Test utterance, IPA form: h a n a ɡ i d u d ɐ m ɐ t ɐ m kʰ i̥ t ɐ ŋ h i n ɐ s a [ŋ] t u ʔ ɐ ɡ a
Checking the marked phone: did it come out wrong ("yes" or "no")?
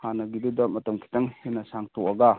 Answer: no